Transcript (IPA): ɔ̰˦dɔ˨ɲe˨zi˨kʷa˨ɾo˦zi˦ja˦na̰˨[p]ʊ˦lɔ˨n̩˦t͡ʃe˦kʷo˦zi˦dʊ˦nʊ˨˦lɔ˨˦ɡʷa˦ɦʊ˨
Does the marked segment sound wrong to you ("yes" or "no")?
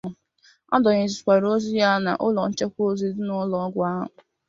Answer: yes